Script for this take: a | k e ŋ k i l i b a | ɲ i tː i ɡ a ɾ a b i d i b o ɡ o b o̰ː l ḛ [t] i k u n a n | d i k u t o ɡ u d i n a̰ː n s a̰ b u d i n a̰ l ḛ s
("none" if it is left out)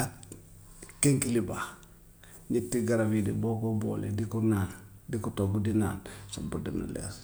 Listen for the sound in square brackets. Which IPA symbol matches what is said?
d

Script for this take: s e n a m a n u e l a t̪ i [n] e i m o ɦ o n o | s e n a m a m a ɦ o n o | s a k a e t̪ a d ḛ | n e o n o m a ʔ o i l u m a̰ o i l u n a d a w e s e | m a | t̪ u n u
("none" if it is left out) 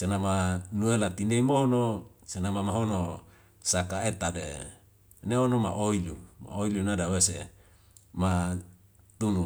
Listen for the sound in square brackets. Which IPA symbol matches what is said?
n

